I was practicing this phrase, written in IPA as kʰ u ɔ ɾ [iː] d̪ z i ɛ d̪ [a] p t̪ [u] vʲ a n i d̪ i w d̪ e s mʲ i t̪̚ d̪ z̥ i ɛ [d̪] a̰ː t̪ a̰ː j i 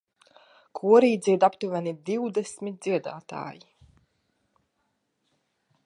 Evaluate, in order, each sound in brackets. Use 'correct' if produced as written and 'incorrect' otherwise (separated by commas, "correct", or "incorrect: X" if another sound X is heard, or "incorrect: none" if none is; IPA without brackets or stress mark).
correct, correct, correct, correct